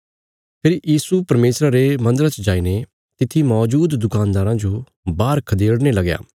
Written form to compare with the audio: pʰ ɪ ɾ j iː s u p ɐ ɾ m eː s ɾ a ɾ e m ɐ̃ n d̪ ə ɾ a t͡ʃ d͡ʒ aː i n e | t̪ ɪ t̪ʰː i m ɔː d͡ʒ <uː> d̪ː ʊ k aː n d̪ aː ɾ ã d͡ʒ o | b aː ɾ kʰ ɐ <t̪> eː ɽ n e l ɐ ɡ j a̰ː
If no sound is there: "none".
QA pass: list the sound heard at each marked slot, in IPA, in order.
uː, d̪

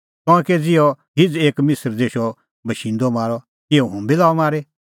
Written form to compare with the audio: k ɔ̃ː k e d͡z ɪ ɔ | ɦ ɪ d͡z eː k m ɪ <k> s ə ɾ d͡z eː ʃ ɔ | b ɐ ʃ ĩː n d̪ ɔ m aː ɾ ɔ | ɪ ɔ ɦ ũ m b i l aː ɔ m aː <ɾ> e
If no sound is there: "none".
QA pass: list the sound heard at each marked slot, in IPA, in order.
none, ɾ

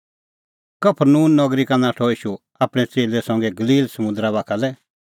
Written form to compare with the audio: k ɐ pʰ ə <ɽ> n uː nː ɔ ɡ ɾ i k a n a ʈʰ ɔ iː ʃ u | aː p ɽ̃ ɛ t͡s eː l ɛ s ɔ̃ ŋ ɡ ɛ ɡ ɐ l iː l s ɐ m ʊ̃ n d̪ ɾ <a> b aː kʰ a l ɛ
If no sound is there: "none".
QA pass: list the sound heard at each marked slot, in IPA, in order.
ɾ, a

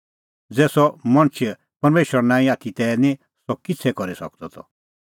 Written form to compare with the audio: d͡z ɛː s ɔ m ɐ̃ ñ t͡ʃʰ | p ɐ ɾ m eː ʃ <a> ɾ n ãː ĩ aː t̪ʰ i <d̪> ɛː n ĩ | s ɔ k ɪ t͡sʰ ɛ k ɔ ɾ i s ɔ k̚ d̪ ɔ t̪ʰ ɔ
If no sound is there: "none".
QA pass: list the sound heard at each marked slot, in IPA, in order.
ə, t̪

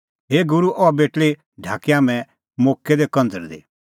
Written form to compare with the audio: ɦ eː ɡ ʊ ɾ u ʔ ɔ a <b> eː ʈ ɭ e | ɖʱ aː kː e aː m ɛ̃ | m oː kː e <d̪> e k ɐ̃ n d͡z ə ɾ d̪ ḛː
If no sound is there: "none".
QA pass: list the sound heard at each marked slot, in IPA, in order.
b, d̪

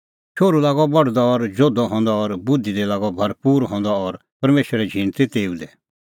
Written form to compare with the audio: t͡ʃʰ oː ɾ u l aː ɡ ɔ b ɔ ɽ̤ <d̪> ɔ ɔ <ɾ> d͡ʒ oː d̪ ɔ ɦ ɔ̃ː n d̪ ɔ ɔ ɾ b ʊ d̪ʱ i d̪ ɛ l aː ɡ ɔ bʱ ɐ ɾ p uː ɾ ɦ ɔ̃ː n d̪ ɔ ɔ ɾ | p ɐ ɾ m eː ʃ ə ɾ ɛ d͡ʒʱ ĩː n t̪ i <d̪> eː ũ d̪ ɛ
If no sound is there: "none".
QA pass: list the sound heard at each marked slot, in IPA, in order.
d̪, ɾ, t̪

